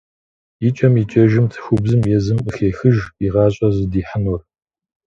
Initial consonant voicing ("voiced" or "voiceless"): voiceless